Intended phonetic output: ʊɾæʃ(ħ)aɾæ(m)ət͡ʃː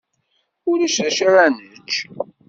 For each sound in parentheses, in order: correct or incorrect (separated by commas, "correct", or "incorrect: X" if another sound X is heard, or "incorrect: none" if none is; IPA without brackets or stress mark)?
incorrect: ʃ, incorrect: n